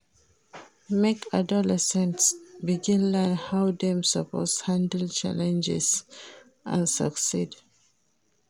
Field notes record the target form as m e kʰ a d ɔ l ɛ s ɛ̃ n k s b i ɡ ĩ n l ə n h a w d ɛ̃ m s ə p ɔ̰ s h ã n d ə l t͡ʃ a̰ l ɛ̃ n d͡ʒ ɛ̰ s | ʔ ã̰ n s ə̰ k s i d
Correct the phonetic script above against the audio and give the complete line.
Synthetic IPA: m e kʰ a d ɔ l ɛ s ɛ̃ n t s b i ɡ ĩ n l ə n h a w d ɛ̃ m s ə p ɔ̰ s h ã n d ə l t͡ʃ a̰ l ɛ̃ n d͡ʒ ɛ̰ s | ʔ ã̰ n s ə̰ k s i d